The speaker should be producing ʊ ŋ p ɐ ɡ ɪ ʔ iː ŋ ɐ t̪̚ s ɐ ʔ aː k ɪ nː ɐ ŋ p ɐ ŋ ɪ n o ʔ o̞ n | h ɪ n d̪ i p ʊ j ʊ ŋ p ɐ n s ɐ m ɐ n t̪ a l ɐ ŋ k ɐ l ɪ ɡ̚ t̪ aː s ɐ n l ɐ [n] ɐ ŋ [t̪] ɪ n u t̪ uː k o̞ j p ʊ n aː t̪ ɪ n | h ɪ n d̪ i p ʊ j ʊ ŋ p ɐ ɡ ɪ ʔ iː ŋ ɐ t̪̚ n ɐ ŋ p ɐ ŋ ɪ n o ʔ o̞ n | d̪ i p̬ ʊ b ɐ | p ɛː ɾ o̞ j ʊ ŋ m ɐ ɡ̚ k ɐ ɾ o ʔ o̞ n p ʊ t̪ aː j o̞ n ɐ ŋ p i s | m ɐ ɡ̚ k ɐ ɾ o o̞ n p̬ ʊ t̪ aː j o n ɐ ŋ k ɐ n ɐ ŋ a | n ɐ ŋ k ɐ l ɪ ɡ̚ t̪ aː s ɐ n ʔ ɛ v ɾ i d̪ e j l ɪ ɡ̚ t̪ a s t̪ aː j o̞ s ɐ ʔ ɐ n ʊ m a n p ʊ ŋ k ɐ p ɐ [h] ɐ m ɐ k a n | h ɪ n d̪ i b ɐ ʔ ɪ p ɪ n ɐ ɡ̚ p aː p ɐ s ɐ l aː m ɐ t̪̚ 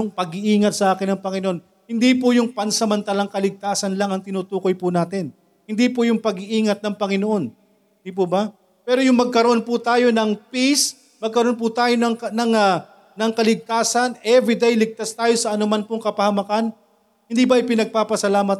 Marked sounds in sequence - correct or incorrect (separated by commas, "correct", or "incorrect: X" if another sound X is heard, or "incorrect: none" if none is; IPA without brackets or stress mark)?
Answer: incorrect: ŋ, correct, correct